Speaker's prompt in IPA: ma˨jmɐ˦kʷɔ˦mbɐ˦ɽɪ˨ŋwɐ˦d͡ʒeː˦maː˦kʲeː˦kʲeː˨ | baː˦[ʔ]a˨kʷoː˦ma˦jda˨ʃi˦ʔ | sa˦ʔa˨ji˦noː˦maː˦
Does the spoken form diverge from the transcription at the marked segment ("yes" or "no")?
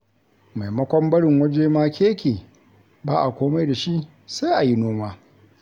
no